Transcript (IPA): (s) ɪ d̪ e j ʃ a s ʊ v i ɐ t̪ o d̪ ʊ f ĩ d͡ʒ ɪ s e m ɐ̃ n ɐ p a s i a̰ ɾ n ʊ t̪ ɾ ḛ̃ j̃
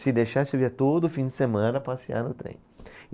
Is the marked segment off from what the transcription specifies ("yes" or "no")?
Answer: no